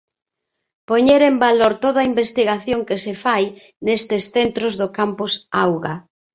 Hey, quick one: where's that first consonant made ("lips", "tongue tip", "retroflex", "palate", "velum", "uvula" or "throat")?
lips